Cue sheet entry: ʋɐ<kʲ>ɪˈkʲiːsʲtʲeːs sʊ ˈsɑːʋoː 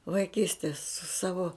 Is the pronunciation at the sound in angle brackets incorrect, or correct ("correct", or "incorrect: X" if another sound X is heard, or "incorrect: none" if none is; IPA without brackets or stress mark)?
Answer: incorrect: none